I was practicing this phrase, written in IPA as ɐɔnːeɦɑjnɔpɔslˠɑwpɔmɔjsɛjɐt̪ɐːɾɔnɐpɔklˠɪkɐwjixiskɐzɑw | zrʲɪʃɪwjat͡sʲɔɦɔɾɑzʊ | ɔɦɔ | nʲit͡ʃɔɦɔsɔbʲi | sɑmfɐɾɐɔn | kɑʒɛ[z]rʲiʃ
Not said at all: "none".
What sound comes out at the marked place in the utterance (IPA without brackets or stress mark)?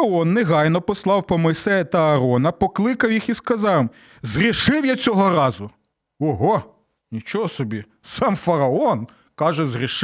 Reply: z